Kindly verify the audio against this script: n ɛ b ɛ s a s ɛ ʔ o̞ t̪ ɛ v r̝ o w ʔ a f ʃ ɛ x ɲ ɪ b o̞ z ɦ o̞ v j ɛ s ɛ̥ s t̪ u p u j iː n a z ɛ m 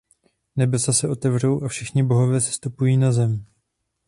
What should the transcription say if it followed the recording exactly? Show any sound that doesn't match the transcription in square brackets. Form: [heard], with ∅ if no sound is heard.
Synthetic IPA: n ɛ b ɛ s a s ɛ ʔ o̞ t̪ ɛ v r̝ o w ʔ a f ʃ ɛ x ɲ ɪ b o̞ [∅] ɦ o̞ v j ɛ s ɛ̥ s t̪ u p u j iː n a z ɛ m

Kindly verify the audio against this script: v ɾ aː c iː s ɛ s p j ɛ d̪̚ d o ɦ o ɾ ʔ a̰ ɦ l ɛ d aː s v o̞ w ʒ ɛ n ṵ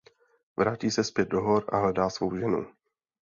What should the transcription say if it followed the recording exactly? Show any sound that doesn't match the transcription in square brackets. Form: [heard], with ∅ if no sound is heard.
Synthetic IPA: v ɾ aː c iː s ɛ s p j ɛ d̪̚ d o ɦ o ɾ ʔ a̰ ɦ l ɛ d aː s v o̞ w ʒ ɛ n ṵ

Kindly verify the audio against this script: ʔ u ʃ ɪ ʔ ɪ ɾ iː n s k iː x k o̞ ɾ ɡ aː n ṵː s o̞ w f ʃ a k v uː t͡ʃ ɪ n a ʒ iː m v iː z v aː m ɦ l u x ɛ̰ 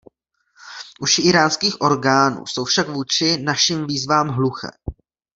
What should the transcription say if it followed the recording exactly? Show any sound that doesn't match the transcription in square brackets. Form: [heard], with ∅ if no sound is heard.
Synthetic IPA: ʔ u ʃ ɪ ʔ ɪ ɾ [aː] n s k iː x [ʔ] o̞ ɾ ɡ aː n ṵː s o̞ w f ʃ a k v uː t͡ʃ ɪ n a [ʃ] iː m v iː z v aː m ɦ l u x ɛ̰

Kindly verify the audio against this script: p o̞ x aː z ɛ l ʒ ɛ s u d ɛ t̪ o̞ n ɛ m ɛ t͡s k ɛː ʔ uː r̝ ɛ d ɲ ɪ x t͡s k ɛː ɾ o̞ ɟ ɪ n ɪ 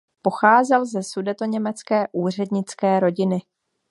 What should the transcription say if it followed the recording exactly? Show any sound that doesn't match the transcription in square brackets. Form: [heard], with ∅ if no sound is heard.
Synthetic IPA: p o̞ x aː z ɛ l [z] ɛ s u d ɛ t̪ o̞ [ɲ] ɛ m ɛ t͡s k ɛː ʔ uː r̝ ɛ d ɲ ɪ [∅] t͡s k ɛː ɾ o̞ ɟ ɪ n ɪ

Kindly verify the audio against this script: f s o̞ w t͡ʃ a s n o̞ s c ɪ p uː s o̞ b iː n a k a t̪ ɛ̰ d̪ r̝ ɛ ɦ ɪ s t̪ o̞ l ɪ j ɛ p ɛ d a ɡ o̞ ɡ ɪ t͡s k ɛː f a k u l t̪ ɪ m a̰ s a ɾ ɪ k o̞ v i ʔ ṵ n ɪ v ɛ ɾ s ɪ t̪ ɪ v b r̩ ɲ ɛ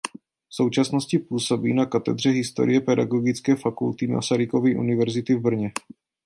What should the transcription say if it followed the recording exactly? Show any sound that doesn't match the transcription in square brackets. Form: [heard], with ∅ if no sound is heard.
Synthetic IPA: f s o̞ w t͡ʃ a s n o̞ s c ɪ p uː s o̞ b iː n a k a t̪ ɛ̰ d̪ r̝ ɛ ɦ ɪ s t̪ o̞ [ɾ] ɪ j ɛ p ɛ d a ɡ o̞ ɡ ɪ t͡s k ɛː f a k u l t̪ ɪ m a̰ s a ɾ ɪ k o̞ v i ʔ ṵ n ɪ v ɛ ɾ [z] ɪ t̪ ɪ v b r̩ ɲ ɛ

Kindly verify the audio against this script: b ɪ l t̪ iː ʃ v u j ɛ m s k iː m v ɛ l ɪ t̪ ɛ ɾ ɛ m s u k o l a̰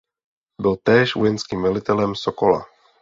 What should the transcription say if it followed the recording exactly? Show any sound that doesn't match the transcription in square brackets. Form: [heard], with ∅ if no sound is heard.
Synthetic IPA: b ɪ l t̪ [ɛː] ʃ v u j ɛ [n] s k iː m v ɛ l ɪ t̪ ɛ [l] ɛ m s [o] k o l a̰

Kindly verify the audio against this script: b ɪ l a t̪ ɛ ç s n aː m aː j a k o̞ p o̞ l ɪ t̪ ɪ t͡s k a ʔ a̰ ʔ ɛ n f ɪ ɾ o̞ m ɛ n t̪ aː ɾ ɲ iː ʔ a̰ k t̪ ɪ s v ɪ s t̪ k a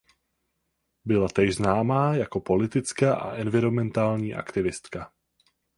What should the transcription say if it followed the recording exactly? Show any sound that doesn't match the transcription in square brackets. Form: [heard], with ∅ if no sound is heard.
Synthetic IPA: b ɪ l a t̪ ɛ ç [z] n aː m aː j a k o̞ p o̞ l ɪ t̪ ɪ t͡s k a ʔ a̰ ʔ ɛ n [v] ɪ ɾ o̞ m ɛ n t̪ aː [l] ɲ iː ʔ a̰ k t̪ ɪ [∅] v ɪ s t̪ k a

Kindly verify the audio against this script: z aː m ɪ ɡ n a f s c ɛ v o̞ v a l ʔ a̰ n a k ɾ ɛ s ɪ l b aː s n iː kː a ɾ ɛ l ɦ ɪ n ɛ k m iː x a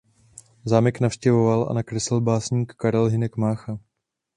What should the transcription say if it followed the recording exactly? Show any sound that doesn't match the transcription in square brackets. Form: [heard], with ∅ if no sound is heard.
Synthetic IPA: z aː m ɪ [k] n a f [ʃ] c ɛ v o̞ v a l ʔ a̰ n a k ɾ ɛ s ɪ l b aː s [ɲ] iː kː a ɾ ɛ l ɦ ɪ n ɛ k m [aː] x a

